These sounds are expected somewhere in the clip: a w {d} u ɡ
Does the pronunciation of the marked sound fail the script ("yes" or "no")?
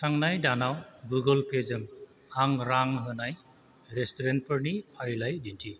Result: yes